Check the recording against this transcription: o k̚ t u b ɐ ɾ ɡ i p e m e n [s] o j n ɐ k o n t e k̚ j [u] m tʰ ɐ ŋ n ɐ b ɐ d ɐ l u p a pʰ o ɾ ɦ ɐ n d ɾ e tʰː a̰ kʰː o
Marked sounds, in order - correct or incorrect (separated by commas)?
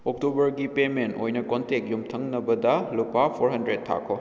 incorrect, correct